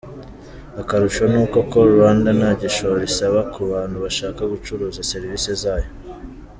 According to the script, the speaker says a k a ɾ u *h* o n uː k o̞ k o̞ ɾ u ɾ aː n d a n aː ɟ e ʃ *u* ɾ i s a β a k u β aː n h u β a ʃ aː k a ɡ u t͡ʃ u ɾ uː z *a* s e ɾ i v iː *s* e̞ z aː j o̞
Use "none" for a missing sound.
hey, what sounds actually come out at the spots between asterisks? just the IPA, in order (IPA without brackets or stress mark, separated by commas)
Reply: ʃ, o, a, s